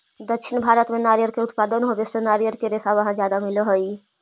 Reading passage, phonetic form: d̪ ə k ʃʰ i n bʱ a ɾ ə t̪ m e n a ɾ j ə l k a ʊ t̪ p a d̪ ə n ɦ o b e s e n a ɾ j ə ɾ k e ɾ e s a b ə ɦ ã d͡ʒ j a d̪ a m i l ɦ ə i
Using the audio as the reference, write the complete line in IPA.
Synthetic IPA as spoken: d̪ ə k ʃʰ i n bʱ a ɾ ə t̪ m e n a ɾ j ə ɾ k e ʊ t̪ p a d̪ ə n ɦ o b e s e n a ɾ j ə ɾ k e ɾ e s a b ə ɦ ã d͡ʒ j a d̪ a m i l ɦ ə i